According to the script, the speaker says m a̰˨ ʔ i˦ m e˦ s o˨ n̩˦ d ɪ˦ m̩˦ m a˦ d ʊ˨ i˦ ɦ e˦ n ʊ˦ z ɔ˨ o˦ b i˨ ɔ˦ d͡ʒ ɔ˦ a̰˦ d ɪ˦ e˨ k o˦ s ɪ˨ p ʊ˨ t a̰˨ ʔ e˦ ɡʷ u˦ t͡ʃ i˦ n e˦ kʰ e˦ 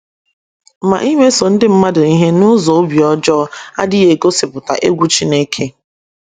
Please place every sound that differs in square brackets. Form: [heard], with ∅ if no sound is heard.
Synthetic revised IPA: m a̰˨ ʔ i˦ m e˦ s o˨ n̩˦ d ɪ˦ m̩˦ m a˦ d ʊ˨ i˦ ɦ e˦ n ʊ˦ z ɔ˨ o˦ b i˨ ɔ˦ d͡ʒ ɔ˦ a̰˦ d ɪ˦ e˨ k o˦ s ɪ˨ p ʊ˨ t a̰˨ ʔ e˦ ɡʷ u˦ t͡ʃ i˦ n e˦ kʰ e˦